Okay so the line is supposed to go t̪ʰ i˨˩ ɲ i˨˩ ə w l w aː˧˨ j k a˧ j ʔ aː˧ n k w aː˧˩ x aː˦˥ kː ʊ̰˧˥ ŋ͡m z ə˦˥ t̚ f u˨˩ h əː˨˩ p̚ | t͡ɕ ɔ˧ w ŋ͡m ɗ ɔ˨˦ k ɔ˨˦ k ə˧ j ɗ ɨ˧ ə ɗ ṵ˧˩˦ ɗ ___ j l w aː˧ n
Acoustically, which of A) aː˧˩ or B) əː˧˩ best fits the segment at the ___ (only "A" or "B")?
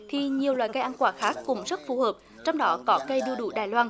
A